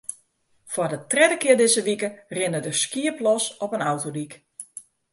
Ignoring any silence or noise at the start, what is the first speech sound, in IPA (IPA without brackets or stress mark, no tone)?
f